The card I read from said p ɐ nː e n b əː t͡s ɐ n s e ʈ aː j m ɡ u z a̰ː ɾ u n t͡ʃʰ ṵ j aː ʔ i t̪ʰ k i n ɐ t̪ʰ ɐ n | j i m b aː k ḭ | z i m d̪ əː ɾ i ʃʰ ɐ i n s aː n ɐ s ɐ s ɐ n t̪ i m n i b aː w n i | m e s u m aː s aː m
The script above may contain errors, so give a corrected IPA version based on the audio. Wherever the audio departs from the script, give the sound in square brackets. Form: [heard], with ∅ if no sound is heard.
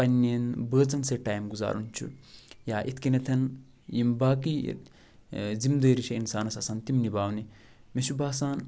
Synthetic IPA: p ɐ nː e n b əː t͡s ɐ n s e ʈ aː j m ɡ u z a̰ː ɾ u n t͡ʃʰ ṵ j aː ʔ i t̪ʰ k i n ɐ t̪ʰ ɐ n | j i m b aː k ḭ | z i m d̪ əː ɾ i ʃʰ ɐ i n s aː n ɐ s ɐ s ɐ n t̪ i m n i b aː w n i | m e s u [b] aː s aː [n]

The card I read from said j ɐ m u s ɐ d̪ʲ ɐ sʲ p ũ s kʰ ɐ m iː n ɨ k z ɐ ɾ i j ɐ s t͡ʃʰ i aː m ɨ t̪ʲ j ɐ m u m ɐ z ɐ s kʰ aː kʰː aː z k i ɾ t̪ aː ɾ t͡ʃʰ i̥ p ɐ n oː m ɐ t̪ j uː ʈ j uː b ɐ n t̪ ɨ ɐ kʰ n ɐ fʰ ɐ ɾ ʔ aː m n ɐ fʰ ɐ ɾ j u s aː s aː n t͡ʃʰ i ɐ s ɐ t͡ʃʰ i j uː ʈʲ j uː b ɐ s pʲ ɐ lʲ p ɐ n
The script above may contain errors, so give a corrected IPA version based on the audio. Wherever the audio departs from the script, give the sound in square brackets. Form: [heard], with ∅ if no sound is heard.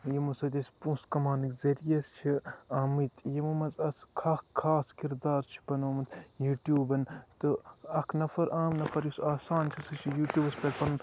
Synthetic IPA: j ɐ m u s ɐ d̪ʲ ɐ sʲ p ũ s [k] ɐ m [aː] n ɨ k z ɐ ɾ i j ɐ s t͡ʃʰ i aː m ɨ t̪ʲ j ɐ m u m ɐ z ɐ s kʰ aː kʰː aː [s] k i ɾ [d̪] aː ɾ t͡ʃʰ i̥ p ɐ n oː m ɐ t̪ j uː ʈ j uː b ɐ n t̪ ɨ ɐ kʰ n ɐ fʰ ɐ ɾ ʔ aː m n ɐ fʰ ɐ ɾ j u s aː s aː n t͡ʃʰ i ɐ s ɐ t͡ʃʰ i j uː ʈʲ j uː b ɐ s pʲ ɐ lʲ p ɐ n

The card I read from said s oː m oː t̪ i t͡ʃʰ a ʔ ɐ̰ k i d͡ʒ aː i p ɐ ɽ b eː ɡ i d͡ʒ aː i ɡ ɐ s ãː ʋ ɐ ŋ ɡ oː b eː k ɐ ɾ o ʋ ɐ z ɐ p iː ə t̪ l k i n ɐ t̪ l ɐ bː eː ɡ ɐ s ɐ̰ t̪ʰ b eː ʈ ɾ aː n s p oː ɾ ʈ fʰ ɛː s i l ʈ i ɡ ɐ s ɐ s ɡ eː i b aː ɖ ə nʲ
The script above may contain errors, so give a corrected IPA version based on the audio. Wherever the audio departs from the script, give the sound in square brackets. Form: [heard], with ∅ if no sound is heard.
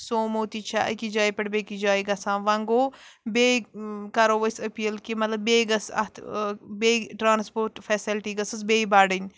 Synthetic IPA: s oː m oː t̪ i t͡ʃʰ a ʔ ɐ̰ k i d͡ʒ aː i p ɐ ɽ b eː [k] i d͡ʒ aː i ɡ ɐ s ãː ʋ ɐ ŋ ɡ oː b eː k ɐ ɾ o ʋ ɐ [s] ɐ p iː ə [∅] l k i [m] ɐ t̪ l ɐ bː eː ɡ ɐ s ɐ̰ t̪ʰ b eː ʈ ɾ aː n s p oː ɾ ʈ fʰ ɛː s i l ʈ i ɡ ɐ s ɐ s [b] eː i b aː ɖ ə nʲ

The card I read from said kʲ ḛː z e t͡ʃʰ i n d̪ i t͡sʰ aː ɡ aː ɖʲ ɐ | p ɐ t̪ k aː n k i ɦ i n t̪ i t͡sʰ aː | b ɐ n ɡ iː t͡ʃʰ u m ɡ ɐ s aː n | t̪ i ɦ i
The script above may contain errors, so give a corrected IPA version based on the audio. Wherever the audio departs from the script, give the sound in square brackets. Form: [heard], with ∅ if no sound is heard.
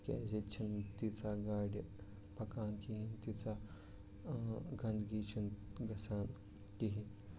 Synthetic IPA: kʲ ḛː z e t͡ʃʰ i n [t̪] i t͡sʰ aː ɡ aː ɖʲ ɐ | p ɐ [∅] k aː n k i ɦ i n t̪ i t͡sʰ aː | [ɡ] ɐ n ɡ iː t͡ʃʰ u [n] ɡ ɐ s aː n | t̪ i ɦ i

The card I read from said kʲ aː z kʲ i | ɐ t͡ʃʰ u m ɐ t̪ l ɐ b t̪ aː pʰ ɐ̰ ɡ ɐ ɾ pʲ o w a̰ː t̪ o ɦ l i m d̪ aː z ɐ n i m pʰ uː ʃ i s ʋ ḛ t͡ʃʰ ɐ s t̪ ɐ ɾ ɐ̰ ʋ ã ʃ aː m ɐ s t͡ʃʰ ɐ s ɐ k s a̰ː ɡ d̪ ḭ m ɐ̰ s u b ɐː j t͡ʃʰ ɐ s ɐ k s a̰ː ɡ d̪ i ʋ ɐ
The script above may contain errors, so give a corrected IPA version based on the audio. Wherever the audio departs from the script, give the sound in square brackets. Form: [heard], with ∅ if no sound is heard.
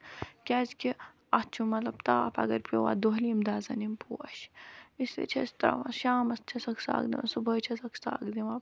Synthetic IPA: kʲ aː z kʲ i | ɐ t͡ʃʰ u m ɐ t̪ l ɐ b t̪ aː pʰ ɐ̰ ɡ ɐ ɾ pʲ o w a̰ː [d̪] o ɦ l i m d̪ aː z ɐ n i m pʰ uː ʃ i s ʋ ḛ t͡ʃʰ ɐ s t̪ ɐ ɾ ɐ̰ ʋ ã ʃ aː m ɐ s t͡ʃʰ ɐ s ɐ k s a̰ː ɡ d̪ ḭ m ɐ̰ s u b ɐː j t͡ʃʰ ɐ s ɐ k s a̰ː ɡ d̪ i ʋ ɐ

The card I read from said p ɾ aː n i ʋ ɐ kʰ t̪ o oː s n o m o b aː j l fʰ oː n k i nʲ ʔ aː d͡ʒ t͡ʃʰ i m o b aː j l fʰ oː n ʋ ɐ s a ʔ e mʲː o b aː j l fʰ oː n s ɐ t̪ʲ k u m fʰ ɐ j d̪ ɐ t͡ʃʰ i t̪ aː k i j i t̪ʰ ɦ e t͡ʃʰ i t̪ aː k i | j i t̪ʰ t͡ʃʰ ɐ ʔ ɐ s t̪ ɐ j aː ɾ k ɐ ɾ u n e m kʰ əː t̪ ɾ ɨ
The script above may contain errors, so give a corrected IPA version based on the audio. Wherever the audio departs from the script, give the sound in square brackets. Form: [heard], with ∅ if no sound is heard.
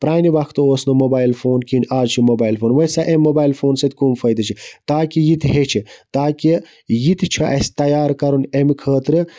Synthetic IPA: p ɾ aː n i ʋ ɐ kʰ t̪ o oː s n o m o b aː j l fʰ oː n k i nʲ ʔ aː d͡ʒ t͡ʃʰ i m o b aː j l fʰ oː n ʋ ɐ s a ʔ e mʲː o b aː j l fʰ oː n s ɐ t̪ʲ k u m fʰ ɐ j d̪ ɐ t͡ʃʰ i t̪ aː k i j i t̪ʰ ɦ e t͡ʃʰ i t̪ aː k i | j i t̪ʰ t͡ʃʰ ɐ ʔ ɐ s t̪ ɐ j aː ɾ k ɐ ɾ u n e m kʰ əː t̪ ɾ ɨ

